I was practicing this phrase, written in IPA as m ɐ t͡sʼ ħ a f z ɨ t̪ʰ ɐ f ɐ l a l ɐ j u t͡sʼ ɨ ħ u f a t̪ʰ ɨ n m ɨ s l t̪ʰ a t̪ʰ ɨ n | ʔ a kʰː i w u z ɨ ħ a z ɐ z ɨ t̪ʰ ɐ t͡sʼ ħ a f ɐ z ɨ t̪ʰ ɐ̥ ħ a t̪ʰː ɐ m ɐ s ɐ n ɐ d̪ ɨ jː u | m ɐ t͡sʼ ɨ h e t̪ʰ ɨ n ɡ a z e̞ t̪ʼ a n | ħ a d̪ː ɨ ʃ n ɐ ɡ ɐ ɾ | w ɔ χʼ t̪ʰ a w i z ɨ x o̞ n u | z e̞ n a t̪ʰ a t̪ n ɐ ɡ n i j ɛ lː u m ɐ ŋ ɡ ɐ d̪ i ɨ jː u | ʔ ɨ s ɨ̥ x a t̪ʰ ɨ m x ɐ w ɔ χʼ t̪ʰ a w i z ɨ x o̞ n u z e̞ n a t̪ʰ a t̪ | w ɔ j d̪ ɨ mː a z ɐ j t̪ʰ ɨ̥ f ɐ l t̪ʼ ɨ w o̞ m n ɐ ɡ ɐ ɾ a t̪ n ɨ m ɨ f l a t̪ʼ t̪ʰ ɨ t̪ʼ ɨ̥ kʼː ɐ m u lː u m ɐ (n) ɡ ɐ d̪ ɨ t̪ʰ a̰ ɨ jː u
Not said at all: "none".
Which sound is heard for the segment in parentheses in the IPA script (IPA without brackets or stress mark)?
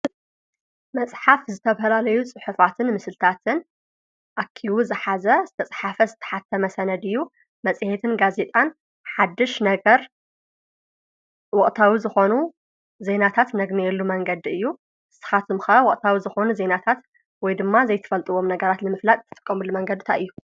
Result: ŋ